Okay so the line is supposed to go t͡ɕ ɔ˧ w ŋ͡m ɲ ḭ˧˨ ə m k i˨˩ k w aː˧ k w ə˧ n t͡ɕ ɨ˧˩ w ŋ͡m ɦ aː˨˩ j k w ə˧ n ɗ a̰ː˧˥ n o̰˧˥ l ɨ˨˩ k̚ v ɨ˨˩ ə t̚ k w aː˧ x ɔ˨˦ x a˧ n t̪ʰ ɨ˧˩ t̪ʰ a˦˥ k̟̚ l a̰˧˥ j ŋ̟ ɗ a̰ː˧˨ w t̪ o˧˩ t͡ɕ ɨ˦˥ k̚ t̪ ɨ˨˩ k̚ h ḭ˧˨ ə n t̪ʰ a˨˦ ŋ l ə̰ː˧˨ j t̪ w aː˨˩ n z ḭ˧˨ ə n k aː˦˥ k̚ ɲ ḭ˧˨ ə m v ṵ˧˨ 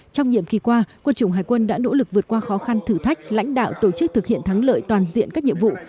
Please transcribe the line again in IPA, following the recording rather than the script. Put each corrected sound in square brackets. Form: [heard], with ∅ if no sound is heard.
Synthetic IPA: t͡ɕ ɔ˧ w ŋ͡m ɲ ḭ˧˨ ə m k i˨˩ k w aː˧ k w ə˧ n t͡ɕ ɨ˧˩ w ŋ͡m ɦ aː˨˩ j k w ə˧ n ɗ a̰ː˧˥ n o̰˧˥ l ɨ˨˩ k̚ v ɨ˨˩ ə t̚ k w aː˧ x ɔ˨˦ x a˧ n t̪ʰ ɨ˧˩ t̪ʰ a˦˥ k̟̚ l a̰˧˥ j ŋ̟ ɗ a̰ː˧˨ w t̪ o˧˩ t͡ɕ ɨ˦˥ k̚ t̪ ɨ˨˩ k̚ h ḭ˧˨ ə n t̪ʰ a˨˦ ŋ l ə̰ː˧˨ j t̪ w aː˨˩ n z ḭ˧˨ ə n k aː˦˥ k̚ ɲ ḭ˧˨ ə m v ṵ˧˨